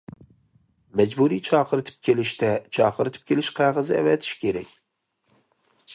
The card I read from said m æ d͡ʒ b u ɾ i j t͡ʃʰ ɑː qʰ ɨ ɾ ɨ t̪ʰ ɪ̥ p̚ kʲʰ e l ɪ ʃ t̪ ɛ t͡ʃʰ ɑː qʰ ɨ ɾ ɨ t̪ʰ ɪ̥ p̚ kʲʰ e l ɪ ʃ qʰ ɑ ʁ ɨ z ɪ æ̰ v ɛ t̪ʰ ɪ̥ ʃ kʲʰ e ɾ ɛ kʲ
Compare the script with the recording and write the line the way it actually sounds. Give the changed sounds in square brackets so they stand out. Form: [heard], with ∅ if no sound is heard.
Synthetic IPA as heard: m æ d͡ʒ b u ɾ i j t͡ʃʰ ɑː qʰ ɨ ɾ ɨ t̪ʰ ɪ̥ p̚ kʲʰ e l ɪ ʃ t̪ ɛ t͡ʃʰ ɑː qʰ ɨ ɾ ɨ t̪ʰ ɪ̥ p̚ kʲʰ e l ɪ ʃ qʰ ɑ ʁ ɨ z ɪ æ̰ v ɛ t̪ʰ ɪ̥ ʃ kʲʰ e ɾ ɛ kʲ